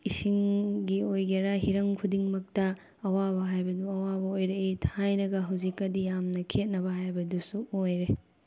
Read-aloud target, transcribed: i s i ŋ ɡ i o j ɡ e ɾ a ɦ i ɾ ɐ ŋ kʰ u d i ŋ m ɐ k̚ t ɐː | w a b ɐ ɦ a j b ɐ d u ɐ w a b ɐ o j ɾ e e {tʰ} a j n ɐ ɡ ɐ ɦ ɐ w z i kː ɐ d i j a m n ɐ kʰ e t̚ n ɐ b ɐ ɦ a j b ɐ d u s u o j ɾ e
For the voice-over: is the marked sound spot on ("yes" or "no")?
yes